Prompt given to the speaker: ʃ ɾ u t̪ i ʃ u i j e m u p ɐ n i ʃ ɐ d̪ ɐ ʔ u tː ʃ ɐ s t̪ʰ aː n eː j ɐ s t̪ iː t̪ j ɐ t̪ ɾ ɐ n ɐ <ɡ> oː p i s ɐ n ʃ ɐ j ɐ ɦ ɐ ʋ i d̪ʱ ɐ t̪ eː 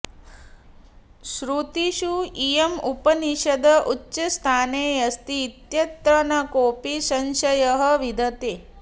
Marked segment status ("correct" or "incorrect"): incorrect